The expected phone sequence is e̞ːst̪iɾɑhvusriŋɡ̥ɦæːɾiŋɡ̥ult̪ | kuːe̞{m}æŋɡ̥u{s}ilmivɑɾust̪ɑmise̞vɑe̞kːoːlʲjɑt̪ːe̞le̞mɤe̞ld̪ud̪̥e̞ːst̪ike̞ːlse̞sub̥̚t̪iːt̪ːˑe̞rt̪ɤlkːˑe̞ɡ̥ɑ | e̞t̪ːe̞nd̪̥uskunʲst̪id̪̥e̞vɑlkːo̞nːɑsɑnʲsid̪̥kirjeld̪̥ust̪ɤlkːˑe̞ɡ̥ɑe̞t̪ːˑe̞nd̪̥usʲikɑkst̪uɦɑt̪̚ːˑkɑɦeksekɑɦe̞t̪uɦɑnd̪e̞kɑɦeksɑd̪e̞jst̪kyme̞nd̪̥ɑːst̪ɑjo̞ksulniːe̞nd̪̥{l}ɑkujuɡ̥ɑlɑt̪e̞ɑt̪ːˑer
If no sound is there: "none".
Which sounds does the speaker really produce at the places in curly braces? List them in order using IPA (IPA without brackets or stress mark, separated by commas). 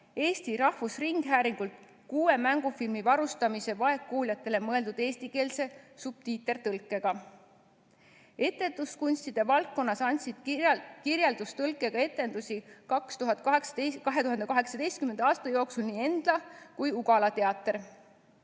m, f, l